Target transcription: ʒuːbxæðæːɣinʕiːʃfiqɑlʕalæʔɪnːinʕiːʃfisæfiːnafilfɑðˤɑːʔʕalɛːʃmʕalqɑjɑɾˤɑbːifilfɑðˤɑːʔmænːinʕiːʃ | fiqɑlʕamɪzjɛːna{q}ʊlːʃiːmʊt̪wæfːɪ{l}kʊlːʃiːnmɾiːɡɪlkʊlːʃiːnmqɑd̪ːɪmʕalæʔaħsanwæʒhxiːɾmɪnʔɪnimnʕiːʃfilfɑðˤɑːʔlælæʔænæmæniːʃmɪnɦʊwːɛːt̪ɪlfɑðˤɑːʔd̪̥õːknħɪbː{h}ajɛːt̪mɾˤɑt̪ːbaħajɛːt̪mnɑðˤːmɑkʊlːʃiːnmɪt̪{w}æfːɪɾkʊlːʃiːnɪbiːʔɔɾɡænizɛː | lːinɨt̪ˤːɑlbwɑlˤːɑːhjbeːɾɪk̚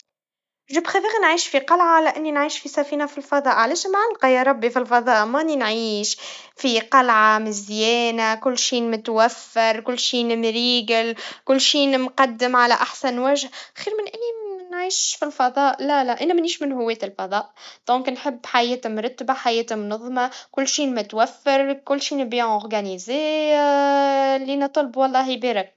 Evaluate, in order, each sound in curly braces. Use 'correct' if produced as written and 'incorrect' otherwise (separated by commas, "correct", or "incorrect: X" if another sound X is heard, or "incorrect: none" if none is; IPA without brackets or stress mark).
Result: incorrect: k, incorrect: ɾ, incorrect: ħ, correct